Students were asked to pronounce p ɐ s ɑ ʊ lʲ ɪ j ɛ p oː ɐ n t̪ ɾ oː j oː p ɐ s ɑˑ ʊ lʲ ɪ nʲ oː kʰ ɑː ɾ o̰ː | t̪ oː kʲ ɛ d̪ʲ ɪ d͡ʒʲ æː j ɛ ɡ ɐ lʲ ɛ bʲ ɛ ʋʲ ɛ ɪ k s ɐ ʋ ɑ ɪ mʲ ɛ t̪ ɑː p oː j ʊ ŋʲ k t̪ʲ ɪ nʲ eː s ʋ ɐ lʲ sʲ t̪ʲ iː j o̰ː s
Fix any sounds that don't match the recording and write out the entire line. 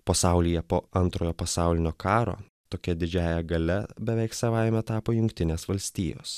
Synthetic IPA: p ɐ s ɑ ʊ lʲ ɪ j ɛ p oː ɐ n t̪ ɾ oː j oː p ɐ s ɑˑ ʊ lʲ ɪ nʲ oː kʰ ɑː ɾ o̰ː | t̪ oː kʲ ɛ d̪ʲ ɪ d͡ʒʲ æː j ɛ ɡ ɐ lʲ ɛ bʲ ɛ ʋʲ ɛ ɪ k s ɐ ʋ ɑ ɪ mʲ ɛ t̪ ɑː p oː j ʊ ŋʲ k t̪ʲ ɪ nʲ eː s ʋ ɐ lʲ sʲ t̪ʲ iː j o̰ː s

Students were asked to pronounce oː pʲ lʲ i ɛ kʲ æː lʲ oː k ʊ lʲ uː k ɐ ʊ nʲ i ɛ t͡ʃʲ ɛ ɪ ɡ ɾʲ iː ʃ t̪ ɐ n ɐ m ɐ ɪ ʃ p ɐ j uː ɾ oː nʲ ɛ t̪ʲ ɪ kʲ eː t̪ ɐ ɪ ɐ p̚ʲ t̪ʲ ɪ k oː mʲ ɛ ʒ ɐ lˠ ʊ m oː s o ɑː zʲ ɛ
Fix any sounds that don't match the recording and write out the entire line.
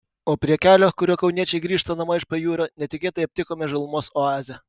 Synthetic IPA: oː pʲ ɾʲ i ɛ kʲ æː lʲ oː k ʊ ɾʲ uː k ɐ ʊ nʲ i ɛ t͡ʃʲ ɛ ɪ ɡ ɾʲ iː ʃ t̪ ɐ n ɐ m ɐ ɪ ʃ p ɐ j uː ɾ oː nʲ ɛ t̪ʲ ɪ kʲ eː t̪ ɐ ɪ ɐ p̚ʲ t̪ʲ ɪ k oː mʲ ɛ ʒ ɐ lˠ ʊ m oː s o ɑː zʲ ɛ

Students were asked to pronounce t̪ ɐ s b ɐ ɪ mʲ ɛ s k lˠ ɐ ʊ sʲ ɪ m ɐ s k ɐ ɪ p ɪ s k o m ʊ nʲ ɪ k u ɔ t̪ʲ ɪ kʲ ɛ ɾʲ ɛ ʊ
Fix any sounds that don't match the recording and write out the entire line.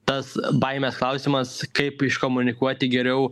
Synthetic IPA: t̪ ɐ s b ɐ ɪ mʲ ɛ s k lˠ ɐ ʊ sʲ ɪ m ɐ s k ɐ ɪ p ɪ ʃ k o m ʊ nʲ ɪ k u ɔ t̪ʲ ɪ ɡʲ ɛ ɾʲ ɛ ʊ

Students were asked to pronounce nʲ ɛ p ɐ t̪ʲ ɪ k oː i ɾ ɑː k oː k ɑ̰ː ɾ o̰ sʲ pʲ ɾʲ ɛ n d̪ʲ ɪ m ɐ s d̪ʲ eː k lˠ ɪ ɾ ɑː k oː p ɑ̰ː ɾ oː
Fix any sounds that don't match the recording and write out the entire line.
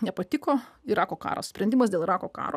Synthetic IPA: nʲ ɛ p ɐ t̪ʲ ɪ k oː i ɾ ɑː k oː k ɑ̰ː ɾ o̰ sʲ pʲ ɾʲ ɛ n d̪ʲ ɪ m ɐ s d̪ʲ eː lˠ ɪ ɾ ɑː k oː k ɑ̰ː ɾ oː

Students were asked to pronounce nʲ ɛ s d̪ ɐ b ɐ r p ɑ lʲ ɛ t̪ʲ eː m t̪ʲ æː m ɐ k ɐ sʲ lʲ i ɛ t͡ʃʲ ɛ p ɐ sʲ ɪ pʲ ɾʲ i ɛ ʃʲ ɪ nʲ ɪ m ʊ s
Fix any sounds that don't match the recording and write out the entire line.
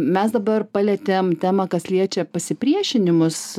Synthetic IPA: mʲ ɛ s d̪ ɐ b ɐ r p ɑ lʲ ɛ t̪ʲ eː m t̪ʲ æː m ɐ k ɐ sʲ lʲ i ɛ t͡ʃʲ ɛ p ɐ sʲ ɪ pʲ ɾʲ i ɛ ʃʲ ɪ nʲ ɪ m ʊ s

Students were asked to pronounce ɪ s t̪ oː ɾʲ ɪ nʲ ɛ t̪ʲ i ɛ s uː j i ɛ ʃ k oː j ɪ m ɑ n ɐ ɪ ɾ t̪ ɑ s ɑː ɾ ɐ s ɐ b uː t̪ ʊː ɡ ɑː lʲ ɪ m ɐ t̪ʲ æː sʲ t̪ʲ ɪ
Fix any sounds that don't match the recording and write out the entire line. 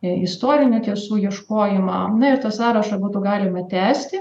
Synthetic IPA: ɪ s t̪ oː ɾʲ ɪ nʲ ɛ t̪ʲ i ɛ s uː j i ɛ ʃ k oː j ɪ m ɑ n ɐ ɪ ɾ t̪ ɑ s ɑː ɾ ɐ ʃ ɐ b uː t̪ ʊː ɡ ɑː lʲ ɪ m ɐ t̪ʲ æː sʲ t̪ʲ ɪ

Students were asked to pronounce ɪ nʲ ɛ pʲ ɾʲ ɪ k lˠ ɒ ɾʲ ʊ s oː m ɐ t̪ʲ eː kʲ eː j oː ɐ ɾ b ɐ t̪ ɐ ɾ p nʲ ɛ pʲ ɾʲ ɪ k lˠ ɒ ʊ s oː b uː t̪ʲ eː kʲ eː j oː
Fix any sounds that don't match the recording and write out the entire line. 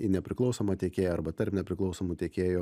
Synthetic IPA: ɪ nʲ ɛ pʲ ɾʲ ɪ k lˠ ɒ ʊ s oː m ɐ t̪ʲ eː kʲ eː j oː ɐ ɾ b ɐ t̪ ɐ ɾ p nʲ ɛ pʲ ɾʲ ɪ k lˠ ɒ ʊ s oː m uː t̪ʲ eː kʲ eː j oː

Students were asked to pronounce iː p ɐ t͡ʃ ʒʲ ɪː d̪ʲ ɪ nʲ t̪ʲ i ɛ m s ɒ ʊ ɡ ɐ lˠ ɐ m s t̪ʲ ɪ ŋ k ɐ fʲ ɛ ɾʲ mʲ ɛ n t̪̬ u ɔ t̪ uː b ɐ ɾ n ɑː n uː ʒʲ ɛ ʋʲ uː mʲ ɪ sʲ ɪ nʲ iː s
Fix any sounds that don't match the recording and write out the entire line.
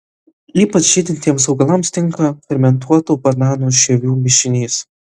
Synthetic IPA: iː p ɐ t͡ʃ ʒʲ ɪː d̪ʲ ɪ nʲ t̪ʲ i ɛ m s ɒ ʊ ɡ ɐ lˠ ɐ m s t̪ʲ ɪ ŋ k ɐ fʲ ɛ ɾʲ mʲ ɛ n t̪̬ u ɔ t̪ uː b ɐ ɾ n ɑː n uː ʃʲ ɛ ʋʲ uː mʲ ɪ ʃʲ ɪ nʲ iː s

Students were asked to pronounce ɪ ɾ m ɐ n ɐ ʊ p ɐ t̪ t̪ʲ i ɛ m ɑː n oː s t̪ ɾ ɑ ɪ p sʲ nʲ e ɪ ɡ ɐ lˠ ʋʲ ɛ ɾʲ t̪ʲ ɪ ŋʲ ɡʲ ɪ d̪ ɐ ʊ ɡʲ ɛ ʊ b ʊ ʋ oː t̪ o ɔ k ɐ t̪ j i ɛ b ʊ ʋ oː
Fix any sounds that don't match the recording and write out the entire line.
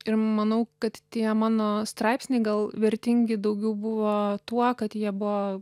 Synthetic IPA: ɪ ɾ m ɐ n ɐ ʊ k ɐ t̪ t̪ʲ i ɛ m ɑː n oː s t̪ ɾ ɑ ɪ p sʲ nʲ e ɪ ɡ ɐ lˠ ʋʲ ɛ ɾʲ t̪ʲ ɪ ŋʲ ɡʲ ɪ d̪ ɐ ʊ ɡʲ ɛ ʊ b ʊ ʋ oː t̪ u ɔ k ɐ t̪ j i ɛ b ʊ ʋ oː

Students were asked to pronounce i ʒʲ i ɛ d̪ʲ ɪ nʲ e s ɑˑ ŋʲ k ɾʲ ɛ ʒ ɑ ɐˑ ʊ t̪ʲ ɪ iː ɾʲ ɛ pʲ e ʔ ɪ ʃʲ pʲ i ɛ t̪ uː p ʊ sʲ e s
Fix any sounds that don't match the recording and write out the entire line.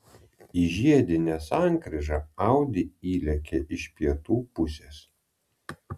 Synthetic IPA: i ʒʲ i ɛ d̪ʲ ɪ nʲ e s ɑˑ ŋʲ k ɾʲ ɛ ʒ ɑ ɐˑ ʊ d̪ʲ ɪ iː lʲ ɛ kʲ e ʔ ɪ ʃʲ pʲ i ɛ t̪ uː p ʊ sʲ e s

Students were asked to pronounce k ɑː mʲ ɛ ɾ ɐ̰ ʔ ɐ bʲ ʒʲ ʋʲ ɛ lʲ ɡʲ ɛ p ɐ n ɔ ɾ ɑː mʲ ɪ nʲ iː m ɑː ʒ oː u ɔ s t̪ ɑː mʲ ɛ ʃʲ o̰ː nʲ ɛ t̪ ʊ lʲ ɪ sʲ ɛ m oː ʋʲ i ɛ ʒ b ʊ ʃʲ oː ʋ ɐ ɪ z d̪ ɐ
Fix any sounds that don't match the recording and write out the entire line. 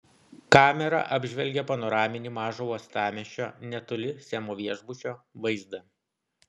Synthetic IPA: k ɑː mʲ ɛ ɾ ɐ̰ ʔ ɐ bʲ ʒʲ ʋʲ ɛ lʲ ɡʲ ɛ p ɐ n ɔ ɾ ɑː mʲ ɪ nʲ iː m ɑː ʒ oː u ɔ s t̪ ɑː mʲ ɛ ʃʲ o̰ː nʲ ɛ t̪ ʊ lʲ ɪ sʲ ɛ m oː ʋʲ i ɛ ʒ b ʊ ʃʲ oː ʋ ɐ ɪ z d̪ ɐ

